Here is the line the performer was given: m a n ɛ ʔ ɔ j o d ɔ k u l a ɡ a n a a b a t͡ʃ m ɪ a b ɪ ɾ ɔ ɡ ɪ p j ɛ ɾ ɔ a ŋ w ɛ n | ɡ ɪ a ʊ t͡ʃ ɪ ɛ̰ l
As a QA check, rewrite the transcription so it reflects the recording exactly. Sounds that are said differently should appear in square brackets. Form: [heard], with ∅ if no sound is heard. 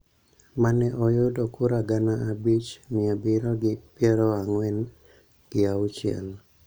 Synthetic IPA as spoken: m a n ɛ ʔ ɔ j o d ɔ k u [ɾ] a ɡ a n a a b [i] t͡ʃ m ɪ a b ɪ ɾ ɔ ɡ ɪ p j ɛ ɾ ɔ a ŋ w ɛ n | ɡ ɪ a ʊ t͡ʃ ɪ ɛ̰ l